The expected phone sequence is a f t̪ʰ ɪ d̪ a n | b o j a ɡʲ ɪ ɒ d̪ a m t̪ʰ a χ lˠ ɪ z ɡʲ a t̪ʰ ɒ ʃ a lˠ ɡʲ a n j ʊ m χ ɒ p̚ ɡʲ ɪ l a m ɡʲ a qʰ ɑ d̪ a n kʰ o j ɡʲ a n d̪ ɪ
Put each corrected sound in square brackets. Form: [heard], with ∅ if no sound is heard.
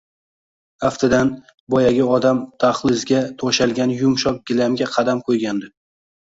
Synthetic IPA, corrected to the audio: a f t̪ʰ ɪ d̪ a n | b [ɒ] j a ɡʲ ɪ ɒ d̪ a m t̪ʰ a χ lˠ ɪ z ɡʲ a t̪ʰ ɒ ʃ a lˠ ɡʲ a n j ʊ m [ʃ] ɒ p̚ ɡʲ ɪ l a m ɡʲ a qʰ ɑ d̪ a [m] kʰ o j ɡʲ a n d̪ ɪ